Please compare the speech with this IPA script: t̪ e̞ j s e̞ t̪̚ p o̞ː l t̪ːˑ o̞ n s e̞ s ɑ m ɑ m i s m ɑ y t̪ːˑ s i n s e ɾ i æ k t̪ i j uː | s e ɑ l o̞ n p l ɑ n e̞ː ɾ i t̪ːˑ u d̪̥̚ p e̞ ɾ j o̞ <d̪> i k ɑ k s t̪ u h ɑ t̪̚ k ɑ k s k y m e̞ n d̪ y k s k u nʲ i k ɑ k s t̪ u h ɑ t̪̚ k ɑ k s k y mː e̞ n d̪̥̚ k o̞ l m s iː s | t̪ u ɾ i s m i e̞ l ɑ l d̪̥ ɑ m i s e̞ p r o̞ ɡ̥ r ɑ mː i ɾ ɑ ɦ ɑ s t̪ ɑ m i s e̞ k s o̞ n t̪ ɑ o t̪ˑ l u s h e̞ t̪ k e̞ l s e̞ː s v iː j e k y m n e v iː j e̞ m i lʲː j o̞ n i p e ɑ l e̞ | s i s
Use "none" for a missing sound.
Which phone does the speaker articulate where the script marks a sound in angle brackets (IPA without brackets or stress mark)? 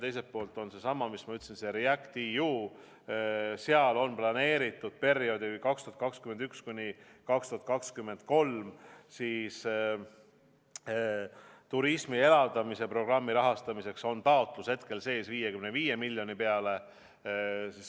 d̪